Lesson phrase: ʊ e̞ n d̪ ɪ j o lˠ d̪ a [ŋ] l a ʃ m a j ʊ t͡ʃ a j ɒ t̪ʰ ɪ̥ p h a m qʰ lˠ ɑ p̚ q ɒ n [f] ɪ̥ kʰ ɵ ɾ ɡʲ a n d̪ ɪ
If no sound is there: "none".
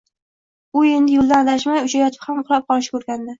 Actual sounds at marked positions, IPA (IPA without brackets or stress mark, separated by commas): n, ʃ